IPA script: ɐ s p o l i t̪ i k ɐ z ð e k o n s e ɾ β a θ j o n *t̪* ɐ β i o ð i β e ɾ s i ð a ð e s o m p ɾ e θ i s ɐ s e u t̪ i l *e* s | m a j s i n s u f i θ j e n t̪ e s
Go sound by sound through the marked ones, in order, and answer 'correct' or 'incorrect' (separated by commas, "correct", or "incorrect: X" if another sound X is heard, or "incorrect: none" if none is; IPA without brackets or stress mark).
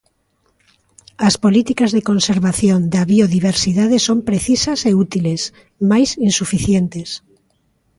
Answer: incorrect: d̪, correct